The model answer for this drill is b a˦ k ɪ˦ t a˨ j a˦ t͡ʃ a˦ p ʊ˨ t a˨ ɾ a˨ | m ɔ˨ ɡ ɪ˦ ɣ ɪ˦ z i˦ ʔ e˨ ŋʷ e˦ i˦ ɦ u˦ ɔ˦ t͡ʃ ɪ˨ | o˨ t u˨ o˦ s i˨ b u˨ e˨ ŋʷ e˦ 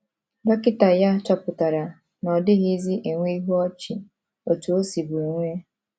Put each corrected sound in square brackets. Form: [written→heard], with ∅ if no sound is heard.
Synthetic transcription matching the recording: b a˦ k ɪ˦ t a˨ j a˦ t͡ʃ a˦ p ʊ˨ t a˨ ɾ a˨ | [m→n] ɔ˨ [ɡ→d] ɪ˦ ɣ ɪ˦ z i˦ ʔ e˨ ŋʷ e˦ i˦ ɦ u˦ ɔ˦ t͡ʃ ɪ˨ | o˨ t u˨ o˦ s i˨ b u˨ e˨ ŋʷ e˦